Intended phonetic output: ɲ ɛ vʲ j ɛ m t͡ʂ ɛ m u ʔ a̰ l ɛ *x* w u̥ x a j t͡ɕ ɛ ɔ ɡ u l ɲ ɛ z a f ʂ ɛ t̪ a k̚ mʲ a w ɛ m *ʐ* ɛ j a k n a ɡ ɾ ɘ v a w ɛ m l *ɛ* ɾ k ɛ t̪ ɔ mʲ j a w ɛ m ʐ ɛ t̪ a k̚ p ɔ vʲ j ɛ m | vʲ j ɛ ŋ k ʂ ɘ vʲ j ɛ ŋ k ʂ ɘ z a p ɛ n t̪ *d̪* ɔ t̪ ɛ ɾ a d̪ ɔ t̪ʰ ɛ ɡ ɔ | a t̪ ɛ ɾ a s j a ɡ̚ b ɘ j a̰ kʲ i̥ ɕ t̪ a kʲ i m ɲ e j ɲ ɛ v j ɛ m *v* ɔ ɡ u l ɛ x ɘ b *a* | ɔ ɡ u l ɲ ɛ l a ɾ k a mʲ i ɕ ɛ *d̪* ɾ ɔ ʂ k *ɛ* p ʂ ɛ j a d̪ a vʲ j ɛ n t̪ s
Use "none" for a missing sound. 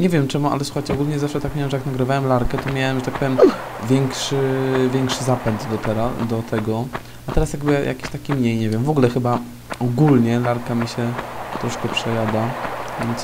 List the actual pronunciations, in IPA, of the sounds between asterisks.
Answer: s, ʐ, a, d̪, v, a, t̪, ɛ

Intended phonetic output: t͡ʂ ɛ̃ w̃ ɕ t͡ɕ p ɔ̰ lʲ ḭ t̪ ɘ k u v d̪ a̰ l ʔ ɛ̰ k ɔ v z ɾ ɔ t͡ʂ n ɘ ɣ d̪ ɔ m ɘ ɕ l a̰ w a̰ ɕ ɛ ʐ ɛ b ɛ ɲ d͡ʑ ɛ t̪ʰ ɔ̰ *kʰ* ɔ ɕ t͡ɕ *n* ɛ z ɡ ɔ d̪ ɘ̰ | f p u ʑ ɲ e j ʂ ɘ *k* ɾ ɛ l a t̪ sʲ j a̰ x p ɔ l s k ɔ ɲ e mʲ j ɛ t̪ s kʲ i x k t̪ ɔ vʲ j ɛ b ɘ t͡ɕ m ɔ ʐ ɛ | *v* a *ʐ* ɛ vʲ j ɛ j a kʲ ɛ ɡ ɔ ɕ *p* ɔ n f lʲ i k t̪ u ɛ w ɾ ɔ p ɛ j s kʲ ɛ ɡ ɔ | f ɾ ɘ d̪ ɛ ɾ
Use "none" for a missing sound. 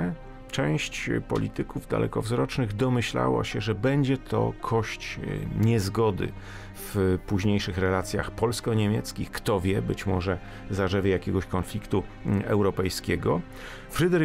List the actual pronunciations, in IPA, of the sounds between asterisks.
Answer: kʰ, ɲ, x, z, ʐ, k

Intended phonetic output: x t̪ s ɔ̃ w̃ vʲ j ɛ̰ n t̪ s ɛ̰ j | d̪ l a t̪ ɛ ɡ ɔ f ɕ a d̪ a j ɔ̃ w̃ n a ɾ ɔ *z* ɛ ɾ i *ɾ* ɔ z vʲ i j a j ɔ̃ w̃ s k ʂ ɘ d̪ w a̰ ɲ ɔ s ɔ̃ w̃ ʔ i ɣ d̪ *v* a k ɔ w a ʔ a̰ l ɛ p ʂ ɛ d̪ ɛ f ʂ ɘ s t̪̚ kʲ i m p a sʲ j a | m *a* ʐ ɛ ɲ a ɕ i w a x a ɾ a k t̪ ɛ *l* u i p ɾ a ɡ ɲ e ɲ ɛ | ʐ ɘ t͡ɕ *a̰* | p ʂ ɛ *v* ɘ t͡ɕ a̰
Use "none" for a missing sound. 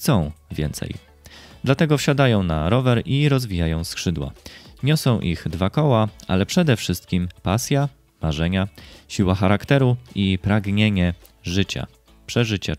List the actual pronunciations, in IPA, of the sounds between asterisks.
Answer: v, ɾ, v, a, ɾ, a̰, ʐ

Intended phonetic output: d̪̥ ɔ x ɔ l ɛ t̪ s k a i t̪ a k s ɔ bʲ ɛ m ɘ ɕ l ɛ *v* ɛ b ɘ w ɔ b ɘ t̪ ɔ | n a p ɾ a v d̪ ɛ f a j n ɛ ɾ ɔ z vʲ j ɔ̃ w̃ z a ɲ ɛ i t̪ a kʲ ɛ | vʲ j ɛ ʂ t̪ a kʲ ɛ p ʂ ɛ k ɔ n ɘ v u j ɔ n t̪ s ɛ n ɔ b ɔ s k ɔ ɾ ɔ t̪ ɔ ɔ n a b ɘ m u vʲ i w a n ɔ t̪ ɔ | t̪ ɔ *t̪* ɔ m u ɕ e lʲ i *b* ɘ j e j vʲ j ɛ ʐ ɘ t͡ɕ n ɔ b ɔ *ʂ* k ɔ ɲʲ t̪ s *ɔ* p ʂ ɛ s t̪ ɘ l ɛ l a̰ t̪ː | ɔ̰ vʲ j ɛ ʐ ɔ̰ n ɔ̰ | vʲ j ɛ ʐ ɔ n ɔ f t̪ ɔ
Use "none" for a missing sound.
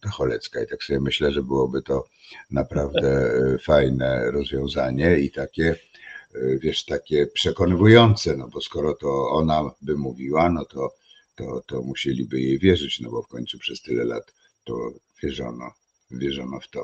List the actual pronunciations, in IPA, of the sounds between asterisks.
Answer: ʐ, t̪, b, f, u

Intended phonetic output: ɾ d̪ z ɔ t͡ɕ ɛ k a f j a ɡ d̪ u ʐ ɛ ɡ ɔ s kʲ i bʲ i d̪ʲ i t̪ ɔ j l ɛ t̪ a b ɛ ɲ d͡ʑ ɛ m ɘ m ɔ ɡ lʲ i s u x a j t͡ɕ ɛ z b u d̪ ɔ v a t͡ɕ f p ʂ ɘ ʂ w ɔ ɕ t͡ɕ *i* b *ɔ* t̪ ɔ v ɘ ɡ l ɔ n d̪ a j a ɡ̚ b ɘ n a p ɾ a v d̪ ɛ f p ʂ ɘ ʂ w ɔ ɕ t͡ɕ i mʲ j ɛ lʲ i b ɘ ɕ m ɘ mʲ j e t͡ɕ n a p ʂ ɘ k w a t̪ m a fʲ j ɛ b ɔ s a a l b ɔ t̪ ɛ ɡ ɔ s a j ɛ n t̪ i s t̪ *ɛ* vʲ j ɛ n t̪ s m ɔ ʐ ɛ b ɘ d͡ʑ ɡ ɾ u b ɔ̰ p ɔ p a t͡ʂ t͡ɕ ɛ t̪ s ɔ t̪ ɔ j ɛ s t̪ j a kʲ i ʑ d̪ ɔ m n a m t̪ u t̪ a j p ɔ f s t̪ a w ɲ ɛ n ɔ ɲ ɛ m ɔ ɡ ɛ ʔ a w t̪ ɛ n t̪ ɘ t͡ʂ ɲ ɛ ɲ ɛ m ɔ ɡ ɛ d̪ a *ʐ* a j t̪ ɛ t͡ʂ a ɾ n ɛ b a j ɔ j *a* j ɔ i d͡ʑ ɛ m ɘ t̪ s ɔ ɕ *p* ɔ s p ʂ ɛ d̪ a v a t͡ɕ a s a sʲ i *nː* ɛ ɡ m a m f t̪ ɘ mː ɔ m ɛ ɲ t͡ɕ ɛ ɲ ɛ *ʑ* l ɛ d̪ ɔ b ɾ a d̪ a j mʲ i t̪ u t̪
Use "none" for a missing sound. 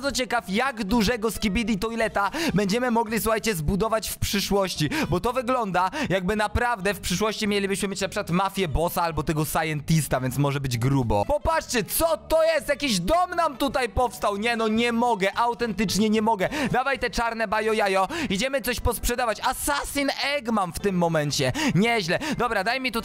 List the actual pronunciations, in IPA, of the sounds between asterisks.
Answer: i, ɔ, a, v, a, p, n, ʑ

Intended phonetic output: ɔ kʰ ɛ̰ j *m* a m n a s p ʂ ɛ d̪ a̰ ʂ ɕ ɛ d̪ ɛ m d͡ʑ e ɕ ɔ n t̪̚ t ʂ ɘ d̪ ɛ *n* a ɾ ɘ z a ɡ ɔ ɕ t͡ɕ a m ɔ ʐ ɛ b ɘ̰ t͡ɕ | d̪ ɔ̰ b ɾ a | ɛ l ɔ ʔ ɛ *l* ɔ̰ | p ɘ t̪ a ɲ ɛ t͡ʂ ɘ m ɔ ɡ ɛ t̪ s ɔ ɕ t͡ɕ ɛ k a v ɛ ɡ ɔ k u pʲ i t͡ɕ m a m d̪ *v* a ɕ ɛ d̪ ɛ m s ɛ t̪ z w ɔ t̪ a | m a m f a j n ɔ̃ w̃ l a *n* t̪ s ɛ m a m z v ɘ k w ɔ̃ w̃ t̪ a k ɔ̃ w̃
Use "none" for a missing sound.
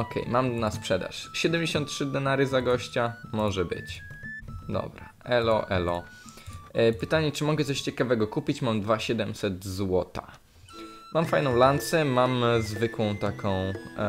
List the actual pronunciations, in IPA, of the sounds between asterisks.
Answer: m, n, l, v, n

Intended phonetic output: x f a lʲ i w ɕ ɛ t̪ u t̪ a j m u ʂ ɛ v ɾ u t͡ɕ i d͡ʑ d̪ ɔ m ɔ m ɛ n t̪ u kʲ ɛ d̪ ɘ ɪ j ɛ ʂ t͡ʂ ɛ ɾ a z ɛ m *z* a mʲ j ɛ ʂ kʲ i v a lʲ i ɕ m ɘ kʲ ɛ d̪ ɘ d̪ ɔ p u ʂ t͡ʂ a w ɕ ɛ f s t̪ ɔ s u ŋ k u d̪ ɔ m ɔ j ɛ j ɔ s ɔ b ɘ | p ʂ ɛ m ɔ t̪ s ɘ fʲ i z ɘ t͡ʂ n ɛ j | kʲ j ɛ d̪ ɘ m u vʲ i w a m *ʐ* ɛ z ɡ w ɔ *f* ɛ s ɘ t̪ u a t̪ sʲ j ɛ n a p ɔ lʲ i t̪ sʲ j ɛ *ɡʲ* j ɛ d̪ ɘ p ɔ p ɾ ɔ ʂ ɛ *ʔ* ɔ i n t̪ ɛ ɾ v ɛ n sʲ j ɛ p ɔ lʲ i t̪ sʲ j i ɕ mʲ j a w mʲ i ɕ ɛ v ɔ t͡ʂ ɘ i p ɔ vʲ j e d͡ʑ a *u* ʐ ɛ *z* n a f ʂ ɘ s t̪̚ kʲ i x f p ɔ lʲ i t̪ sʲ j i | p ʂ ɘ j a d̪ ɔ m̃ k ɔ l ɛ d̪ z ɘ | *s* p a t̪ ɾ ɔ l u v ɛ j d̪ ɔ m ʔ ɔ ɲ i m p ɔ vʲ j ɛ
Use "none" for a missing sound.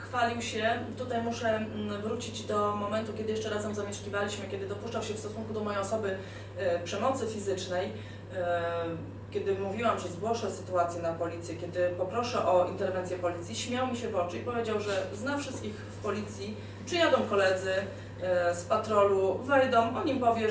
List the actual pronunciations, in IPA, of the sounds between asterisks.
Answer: z, ʐ, ʂ, kʲ, ʔ, w, z, s

